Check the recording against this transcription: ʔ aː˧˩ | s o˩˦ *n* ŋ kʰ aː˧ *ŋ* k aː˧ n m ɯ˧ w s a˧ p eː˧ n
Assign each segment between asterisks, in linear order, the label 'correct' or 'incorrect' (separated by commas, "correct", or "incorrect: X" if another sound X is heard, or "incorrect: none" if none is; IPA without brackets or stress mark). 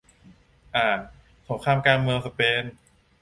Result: incorrect: none, incorrect: m